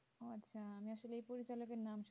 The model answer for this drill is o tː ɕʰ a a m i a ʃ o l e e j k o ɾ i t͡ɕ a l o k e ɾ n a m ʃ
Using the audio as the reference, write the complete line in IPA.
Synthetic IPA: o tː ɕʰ a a m i a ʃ o l e e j p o ɾ i t͡ɕ a l o k e ɾ n a m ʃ